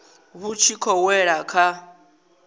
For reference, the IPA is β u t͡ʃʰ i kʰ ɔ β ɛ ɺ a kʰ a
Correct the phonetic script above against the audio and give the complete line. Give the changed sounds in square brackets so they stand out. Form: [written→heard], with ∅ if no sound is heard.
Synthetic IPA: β u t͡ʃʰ i kʰ ɔ [β→w] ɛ ɺ a kʰ a